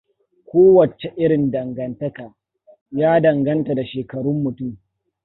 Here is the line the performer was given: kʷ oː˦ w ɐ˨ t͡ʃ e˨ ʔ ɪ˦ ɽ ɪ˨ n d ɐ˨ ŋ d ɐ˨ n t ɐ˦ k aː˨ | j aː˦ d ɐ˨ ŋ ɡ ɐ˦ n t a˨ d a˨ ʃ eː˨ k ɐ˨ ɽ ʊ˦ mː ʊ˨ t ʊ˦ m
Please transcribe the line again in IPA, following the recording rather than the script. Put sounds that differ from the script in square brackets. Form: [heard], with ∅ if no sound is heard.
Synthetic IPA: kʷ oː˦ w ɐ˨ t͡ʃ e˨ ʔ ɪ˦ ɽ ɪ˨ n d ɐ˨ ŋ [ɡ] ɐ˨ n t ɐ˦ k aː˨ | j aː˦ d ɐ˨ ŋ ɡ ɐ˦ n t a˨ d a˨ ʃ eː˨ k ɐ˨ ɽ ʊ˦ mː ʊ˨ t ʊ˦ m

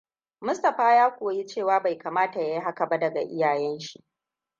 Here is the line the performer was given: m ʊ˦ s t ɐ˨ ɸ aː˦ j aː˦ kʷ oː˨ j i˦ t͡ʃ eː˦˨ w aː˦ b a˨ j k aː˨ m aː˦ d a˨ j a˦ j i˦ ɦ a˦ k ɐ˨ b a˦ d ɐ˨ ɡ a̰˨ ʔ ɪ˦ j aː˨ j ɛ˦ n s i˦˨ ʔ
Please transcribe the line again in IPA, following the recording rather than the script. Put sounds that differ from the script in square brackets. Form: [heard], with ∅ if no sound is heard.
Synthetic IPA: m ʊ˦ s t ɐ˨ ɸ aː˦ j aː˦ kʷ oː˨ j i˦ t͡ʃ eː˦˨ w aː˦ b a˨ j k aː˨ m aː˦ [t] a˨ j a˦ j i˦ ɦ a˦ k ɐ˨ b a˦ d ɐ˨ ɡ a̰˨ ʔ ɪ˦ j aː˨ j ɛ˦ n [ʃ] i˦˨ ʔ

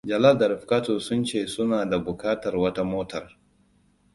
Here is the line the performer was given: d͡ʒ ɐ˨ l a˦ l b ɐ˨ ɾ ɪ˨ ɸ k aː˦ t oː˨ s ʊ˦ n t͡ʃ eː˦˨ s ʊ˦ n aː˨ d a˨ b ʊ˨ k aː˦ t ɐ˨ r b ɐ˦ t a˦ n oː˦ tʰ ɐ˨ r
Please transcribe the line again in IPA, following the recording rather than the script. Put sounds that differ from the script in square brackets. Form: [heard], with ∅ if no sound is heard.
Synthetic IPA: d͡ʒ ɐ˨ l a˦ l [d] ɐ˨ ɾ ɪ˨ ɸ k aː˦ t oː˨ s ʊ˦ n t͡ʃ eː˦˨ s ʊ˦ n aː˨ d a˨ b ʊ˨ k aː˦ t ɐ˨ r [w] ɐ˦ t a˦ [m] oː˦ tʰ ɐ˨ r

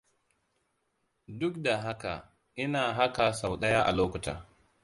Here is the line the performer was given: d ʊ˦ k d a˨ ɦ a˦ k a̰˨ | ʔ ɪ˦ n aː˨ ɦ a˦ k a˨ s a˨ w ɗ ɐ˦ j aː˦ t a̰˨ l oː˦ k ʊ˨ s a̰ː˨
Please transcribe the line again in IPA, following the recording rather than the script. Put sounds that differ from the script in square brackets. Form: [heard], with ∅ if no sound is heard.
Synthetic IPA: d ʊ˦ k d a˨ ɦ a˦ k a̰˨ | ʔ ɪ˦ n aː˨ ɦ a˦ k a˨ s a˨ w ɗ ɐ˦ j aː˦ [ʔ] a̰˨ l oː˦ k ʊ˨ [t] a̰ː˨

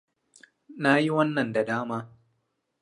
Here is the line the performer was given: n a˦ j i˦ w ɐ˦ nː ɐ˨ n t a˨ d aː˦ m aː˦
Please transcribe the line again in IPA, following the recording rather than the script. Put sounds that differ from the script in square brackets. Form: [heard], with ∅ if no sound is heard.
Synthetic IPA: n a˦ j i˦ w ɐ˦ nː ɐ˨ n [d] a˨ d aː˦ m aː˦

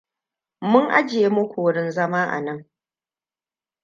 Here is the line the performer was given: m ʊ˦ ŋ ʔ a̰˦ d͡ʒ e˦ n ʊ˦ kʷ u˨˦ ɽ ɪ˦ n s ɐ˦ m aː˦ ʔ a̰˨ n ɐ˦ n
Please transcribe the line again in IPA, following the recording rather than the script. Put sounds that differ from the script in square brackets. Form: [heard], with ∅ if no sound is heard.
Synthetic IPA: m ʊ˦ ŋ ʔ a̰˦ d͡ʒ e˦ [m] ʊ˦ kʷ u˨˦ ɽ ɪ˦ n [z] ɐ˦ m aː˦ ʔ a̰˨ n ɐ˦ [ŋ]

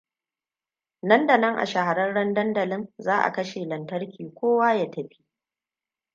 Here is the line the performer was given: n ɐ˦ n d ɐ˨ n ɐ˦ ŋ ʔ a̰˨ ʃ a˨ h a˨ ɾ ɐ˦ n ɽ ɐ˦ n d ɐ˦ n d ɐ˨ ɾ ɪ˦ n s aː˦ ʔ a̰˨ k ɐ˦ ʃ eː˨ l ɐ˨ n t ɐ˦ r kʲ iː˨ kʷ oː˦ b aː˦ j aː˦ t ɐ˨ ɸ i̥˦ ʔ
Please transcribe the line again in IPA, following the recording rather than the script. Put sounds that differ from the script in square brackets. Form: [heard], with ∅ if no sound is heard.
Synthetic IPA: n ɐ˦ n d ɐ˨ n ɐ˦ ŋ ʔ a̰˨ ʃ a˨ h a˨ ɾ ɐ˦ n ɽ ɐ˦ n d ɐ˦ n d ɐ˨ [l] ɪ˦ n [z] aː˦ ʔ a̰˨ k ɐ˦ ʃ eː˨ l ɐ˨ n t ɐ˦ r kʲ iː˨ kʷ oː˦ [w] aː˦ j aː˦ t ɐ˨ ɸ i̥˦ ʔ

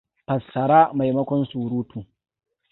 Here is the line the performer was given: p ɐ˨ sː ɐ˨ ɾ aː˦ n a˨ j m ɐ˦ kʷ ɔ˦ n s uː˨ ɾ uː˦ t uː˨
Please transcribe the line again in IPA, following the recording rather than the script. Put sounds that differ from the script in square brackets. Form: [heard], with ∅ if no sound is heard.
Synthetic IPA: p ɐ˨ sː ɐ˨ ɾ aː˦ [m] a˨ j m ɐ˦ kʷ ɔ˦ n s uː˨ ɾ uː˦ t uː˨

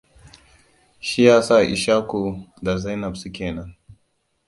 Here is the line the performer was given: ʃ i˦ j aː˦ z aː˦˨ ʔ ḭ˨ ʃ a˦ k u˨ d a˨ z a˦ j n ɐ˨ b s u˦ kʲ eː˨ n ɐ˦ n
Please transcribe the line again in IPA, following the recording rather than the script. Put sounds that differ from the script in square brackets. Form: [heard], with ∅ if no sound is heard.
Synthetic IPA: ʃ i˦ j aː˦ [s] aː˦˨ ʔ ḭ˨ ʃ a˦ k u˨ d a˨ z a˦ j n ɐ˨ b s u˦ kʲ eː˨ n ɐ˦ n

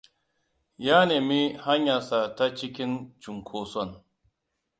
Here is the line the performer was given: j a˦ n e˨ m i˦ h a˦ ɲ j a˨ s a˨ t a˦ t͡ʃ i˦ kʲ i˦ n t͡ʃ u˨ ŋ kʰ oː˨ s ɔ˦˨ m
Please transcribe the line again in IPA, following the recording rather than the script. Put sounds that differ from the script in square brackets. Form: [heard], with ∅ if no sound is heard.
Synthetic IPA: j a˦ n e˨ m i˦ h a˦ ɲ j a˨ s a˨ t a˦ t͡ʃ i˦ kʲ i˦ n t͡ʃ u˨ ŋ kʰ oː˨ s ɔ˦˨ [n]

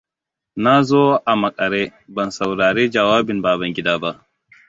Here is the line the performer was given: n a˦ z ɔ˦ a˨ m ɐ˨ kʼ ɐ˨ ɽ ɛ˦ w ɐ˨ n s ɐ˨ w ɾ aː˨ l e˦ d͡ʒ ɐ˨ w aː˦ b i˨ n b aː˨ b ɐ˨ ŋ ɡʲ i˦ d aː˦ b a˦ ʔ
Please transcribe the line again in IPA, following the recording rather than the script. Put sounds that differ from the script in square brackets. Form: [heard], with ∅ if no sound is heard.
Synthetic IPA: n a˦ z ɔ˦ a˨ m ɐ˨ kʼ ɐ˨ [ɾ] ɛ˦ [b] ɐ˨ n s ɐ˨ w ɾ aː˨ [ɾ] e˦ d͡ʒ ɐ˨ w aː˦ b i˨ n b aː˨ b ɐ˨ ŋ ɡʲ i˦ d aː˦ b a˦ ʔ

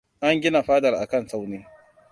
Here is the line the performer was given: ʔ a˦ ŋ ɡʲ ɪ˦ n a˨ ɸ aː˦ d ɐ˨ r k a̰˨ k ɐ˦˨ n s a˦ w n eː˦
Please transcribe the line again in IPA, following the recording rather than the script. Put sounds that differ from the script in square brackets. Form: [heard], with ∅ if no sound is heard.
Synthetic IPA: ʔ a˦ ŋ ɡʲ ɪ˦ n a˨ ɸ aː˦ d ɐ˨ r [ʔ] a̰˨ k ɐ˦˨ n s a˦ w n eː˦

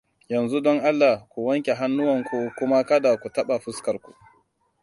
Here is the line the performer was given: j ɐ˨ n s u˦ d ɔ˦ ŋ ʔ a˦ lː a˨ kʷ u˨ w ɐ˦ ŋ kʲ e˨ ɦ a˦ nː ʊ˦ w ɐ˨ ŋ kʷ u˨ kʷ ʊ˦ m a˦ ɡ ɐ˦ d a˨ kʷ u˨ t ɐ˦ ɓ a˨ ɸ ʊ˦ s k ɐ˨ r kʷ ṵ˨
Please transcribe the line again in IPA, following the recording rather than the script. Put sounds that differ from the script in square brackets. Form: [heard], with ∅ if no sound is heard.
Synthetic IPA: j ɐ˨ n [z] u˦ d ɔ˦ ŋ ʔ a˦ lː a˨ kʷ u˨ w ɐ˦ ŋ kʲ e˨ ɦ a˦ nː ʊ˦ w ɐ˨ ŋ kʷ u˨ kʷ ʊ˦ m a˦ [k] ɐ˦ d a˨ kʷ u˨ t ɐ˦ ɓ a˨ ɸ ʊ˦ s k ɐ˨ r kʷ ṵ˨

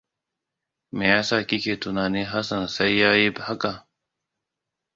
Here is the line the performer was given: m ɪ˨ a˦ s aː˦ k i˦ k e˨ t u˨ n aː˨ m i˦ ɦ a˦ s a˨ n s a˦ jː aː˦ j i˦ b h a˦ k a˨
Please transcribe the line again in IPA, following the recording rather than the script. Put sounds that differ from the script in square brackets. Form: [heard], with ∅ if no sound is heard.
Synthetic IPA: m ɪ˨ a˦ s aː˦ k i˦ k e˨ t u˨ n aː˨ [n] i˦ ɦ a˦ s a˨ n s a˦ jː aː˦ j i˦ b h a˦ k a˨

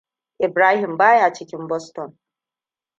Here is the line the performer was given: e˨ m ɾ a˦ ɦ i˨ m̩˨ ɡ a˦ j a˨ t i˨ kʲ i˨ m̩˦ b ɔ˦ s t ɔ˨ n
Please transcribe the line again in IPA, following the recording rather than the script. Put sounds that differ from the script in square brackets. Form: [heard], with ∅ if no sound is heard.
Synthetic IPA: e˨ [b] ɾ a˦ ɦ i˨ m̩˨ [b] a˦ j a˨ [t͡ʃ] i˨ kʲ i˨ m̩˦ b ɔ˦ s t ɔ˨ n

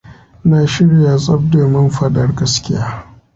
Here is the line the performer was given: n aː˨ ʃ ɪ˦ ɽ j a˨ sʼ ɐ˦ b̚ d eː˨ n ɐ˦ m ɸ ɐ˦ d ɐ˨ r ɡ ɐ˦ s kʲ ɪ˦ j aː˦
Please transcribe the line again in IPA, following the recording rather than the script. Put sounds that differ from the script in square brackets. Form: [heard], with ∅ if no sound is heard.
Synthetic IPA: n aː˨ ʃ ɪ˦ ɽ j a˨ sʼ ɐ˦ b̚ d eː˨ [m] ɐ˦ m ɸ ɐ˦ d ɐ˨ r ɡ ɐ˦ s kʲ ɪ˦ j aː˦

